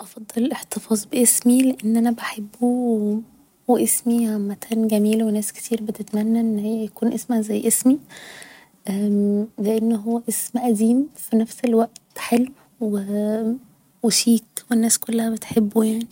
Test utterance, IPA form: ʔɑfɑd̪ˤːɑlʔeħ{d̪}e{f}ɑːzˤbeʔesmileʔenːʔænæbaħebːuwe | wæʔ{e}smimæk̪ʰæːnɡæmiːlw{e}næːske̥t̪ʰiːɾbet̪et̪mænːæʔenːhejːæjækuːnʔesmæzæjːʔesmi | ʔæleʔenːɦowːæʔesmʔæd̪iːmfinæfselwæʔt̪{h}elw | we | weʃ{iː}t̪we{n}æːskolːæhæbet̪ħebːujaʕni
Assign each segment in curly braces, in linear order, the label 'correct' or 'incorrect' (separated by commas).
incorrect, correct, correct, correct, incorrect, correct, incorrect